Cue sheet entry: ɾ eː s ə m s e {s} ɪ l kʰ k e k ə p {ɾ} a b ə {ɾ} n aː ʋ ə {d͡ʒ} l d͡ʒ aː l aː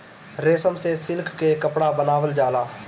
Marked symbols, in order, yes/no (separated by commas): yes, no, no, no